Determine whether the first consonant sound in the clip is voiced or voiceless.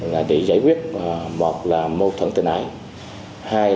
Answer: voiced